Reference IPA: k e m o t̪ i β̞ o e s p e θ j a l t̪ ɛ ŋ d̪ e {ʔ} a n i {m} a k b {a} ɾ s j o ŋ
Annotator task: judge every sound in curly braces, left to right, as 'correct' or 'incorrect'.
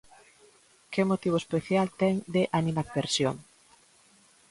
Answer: correct, correct, incorrect: e

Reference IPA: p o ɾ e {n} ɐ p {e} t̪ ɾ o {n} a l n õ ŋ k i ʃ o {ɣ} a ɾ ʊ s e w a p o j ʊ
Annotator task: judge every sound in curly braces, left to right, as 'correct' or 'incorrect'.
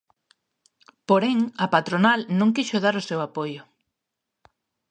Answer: incorrect: ŋ, incorrect: a, correct, incorrect: ð

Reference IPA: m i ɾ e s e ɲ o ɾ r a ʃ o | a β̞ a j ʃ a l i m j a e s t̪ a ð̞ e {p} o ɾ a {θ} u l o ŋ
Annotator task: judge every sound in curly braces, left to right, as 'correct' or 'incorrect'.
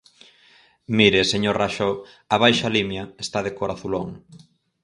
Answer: incorrect: k, correct

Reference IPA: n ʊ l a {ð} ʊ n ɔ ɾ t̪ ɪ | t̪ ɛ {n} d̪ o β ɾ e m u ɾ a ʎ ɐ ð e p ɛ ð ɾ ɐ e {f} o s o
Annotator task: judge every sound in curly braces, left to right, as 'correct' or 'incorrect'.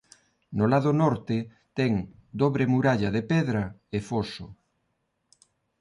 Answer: correct, incorrect: ŋ, correct

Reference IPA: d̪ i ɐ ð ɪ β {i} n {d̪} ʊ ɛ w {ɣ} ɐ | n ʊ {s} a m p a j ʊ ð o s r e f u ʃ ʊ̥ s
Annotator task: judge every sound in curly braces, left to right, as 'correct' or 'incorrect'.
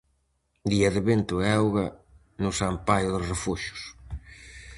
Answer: incorrect: e, incorrect: t̪, correct, correct

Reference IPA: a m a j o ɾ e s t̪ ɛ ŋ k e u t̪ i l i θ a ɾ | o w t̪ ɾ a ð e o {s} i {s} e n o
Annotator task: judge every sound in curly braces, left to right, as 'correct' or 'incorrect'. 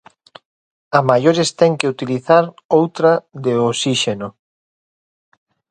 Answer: correct, incorrect: ʃ

